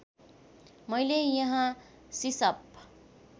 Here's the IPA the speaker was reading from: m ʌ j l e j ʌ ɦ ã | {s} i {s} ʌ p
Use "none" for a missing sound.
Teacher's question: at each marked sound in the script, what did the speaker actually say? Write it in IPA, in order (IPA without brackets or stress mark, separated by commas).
s, s